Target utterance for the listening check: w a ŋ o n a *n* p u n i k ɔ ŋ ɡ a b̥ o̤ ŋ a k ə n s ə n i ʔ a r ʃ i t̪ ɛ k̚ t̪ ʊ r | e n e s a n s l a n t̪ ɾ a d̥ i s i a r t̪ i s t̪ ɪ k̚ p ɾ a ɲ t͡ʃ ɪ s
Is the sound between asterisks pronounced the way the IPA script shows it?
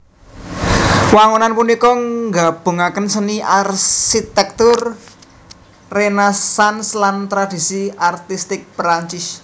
yes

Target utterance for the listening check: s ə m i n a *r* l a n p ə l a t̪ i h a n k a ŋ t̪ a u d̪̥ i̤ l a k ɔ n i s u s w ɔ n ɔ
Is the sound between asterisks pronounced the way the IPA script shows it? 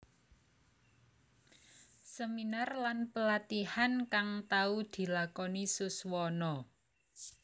yes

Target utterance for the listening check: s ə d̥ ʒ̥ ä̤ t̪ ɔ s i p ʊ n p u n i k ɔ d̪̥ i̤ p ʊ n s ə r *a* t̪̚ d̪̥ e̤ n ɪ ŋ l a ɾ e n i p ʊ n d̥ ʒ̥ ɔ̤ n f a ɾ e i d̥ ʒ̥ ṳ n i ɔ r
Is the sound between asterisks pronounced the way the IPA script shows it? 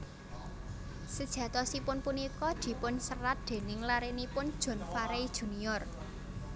yes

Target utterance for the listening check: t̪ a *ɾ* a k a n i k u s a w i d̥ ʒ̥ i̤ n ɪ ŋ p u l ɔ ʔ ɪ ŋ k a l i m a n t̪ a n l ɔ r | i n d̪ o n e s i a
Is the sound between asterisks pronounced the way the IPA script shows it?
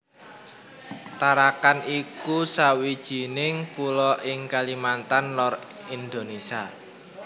yes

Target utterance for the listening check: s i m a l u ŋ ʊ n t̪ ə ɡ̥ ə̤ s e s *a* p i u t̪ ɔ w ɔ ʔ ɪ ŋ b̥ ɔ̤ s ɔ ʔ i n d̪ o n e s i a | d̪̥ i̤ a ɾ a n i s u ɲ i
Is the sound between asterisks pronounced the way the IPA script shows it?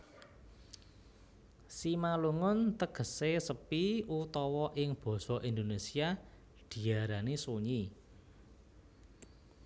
no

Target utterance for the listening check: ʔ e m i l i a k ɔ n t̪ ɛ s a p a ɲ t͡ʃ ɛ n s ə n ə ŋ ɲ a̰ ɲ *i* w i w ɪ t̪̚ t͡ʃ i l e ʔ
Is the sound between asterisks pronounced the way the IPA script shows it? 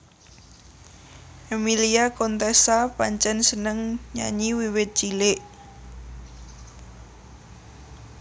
yes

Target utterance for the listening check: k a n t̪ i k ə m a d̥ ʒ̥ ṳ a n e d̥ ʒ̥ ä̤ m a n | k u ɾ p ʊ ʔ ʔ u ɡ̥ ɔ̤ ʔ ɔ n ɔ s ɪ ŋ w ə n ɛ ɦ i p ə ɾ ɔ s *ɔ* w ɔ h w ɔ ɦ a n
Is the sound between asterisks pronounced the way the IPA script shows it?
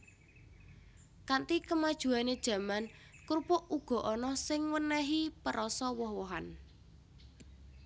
yes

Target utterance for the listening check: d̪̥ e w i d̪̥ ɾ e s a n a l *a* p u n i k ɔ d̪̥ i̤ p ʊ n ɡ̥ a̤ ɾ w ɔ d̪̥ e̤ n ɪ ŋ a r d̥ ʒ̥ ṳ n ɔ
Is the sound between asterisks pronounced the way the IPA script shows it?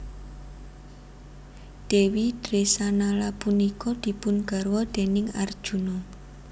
yes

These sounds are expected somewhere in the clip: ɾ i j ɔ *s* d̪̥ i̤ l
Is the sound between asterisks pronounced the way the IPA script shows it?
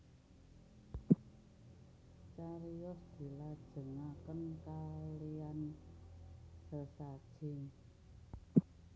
yes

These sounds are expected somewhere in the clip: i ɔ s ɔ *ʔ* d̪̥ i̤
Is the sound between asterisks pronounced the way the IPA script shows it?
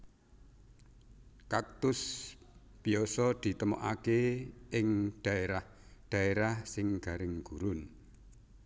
no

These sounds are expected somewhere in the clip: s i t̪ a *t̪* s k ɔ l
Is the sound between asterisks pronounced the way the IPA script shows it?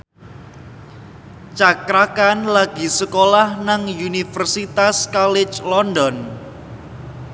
no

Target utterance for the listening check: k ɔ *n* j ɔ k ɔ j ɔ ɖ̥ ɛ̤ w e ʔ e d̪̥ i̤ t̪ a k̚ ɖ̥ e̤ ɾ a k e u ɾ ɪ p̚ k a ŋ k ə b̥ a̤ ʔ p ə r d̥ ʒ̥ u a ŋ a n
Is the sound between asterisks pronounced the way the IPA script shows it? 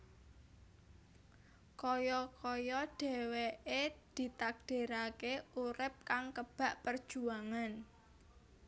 no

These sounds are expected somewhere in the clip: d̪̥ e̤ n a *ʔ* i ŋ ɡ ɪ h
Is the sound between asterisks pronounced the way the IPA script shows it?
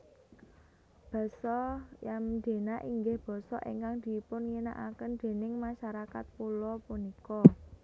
yes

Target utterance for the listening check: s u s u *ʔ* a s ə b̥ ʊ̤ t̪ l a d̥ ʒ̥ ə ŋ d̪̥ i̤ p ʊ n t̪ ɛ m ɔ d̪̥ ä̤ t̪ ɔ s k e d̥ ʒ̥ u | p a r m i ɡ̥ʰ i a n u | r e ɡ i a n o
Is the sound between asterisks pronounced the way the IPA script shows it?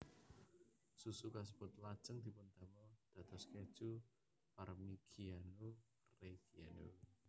no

